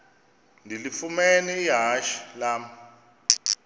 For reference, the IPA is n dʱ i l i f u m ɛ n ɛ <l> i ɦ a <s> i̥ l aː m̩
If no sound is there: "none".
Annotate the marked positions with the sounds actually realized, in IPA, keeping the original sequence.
none, ʃ

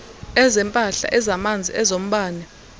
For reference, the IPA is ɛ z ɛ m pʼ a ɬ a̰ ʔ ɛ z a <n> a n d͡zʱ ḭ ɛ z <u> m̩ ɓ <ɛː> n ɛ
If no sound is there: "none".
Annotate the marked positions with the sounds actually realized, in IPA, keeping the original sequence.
m, o, aː

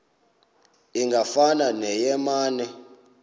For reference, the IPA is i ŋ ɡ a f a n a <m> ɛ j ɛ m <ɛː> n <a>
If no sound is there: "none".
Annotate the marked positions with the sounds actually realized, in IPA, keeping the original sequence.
n, aː, ɛ

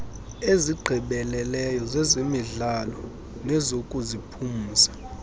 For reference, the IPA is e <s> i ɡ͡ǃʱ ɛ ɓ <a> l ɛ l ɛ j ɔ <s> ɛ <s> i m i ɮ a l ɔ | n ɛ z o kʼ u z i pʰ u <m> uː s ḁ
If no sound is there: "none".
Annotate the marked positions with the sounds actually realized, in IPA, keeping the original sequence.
z, ɛ, z, z, m

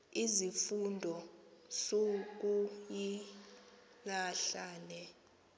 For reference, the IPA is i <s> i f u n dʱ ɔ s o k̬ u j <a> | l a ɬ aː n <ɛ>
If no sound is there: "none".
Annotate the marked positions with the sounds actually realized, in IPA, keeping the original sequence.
z, i, ɛ

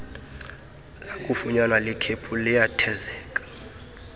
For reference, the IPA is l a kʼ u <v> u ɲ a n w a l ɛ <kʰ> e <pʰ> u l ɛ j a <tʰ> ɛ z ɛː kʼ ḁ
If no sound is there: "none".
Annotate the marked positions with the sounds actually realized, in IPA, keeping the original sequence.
f, kʰ, pʰ, tʰ

